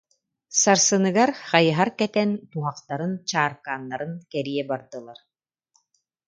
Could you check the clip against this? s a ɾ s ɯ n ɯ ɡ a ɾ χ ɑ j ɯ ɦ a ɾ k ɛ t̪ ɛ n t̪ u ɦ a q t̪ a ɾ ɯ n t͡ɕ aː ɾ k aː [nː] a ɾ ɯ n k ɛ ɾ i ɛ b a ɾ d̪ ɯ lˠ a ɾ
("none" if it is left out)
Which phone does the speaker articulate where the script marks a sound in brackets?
nː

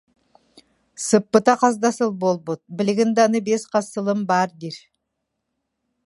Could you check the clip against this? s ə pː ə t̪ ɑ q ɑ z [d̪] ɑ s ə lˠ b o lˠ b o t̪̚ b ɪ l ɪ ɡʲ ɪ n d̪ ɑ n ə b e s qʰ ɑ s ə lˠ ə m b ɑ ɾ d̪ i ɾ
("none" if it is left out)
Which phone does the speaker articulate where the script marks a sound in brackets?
d̪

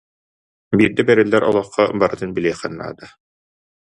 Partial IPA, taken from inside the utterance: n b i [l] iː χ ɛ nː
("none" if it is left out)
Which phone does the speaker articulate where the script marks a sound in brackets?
l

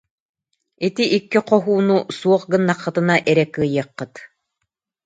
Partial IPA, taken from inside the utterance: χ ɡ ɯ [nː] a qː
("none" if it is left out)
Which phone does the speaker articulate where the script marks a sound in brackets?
nː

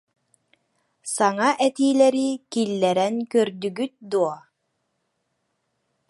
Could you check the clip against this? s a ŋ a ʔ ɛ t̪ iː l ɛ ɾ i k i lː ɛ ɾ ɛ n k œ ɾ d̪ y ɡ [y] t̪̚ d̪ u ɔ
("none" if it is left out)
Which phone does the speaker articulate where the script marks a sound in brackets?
y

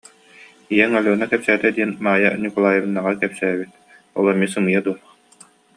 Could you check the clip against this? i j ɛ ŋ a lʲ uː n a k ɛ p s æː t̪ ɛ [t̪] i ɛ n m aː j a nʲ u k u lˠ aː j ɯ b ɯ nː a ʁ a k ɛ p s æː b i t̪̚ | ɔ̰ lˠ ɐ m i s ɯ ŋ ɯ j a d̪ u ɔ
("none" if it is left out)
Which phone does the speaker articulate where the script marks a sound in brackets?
d̪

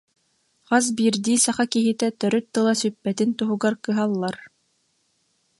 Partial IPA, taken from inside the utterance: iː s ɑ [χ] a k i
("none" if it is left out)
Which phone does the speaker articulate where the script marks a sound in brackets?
χ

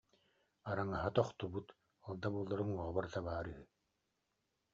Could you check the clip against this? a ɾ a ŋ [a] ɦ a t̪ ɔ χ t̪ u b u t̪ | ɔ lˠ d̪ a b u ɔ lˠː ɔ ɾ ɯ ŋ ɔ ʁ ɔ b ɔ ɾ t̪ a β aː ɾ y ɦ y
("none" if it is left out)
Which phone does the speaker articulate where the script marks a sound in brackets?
a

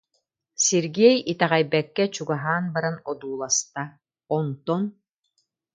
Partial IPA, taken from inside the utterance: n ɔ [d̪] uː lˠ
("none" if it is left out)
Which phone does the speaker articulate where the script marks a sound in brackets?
d̪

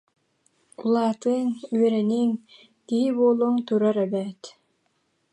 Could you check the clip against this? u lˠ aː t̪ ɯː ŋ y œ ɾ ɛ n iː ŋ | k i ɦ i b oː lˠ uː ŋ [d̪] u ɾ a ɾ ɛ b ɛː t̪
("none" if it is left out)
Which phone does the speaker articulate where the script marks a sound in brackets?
t̪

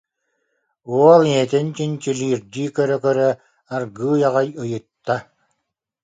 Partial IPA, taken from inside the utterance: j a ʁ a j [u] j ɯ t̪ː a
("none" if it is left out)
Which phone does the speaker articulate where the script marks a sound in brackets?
ɯ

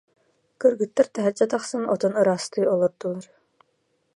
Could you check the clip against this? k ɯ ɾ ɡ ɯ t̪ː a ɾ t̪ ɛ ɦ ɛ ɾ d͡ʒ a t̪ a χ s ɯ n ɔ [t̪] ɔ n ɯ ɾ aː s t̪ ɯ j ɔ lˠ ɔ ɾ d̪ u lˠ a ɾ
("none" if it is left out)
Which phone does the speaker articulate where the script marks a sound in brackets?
t̪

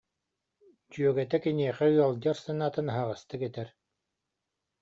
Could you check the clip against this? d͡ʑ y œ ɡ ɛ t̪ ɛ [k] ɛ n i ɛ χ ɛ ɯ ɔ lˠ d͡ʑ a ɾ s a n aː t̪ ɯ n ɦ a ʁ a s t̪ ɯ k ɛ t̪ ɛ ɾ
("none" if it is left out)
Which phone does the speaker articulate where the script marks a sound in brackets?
k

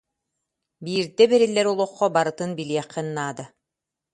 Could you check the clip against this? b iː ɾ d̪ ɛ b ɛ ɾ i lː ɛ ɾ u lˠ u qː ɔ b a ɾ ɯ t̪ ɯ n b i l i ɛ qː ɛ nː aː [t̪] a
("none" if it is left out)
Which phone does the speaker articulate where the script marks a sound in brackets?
d̪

